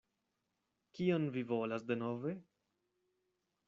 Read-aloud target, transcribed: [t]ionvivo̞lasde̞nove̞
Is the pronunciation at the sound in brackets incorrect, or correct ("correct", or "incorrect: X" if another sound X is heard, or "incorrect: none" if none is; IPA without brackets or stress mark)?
incorrect: k